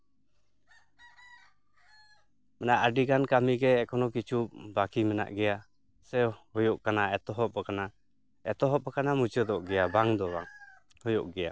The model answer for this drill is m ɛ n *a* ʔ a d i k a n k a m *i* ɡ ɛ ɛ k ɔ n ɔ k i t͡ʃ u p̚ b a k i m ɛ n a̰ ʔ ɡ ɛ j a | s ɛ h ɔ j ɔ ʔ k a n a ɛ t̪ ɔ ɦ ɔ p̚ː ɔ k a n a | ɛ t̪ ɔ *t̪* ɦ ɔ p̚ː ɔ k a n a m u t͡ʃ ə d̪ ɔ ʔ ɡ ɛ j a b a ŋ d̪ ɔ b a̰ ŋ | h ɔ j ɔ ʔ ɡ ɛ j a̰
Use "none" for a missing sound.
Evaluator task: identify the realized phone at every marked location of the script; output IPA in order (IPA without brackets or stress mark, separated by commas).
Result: a, i, none